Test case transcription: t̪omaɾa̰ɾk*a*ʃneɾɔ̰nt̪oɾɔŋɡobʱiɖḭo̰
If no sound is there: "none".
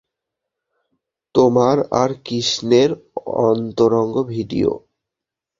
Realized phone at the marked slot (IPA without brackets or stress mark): i